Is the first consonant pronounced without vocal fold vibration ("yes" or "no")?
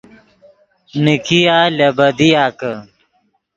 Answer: no